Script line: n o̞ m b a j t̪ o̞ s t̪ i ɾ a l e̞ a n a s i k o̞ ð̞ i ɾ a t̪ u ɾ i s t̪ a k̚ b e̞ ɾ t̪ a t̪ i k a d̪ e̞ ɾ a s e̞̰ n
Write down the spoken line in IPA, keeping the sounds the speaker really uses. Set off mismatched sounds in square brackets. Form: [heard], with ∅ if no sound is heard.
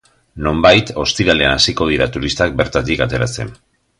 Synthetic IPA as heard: n o̞ m b a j t̪ o̞ s t̪ i ɾ a l e̞ a n a s i k o̞ ð̞ i ɾ a t̪ u ɾ i s t̪ a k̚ b e̞ ɾ t̪ a t̪ i k a [t̪] e̞ ɾ a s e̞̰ n